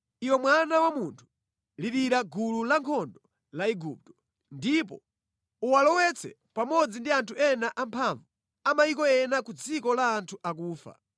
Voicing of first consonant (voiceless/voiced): voiced